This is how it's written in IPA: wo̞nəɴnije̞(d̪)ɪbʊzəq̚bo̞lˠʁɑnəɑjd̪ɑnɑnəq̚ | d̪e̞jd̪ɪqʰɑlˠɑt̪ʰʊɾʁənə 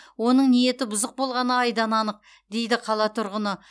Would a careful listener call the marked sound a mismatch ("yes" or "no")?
yes